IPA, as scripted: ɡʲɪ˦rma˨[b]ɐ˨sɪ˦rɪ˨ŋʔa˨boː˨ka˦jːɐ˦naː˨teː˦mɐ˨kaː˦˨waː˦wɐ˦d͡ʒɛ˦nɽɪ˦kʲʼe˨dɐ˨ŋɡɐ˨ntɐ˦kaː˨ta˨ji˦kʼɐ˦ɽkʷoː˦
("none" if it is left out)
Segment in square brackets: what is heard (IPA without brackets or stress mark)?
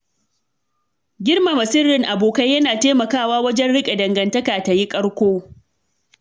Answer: m